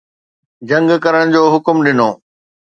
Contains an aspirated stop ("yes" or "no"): no